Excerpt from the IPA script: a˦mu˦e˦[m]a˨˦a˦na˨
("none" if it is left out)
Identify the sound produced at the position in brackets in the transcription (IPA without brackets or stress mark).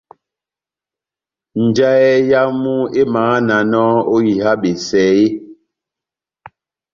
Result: m